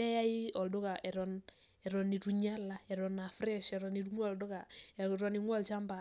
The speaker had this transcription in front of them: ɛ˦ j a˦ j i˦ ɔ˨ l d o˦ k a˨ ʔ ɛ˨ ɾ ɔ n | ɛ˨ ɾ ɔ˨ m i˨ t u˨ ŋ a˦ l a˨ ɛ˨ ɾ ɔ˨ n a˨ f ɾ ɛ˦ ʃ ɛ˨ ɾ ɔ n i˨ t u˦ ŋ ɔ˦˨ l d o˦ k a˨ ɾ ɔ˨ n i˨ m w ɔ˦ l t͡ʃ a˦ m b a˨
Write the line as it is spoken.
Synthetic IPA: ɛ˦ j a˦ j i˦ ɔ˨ l d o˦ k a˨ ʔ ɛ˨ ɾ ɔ n | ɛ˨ ɾ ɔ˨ n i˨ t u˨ ɲ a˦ l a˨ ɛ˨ ɾ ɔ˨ n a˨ f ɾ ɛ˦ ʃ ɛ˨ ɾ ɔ n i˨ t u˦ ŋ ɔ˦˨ l d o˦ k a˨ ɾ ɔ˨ n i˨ ŋ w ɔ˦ l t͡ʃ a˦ m b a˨